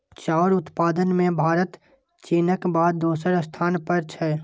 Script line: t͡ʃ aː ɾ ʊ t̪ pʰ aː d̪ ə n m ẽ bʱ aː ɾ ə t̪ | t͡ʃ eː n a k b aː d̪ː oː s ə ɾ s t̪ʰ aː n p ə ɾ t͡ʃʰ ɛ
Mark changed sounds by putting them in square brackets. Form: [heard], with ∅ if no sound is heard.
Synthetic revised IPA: t͡ʃ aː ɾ ʊ t̪ [p] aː d̪ ə n m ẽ bʱ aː ɾ ə t̪ | t͡ʃ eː n [ə] k b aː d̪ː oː s ə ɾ s t̪ʰ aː n p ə ɾ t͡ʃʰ ɛ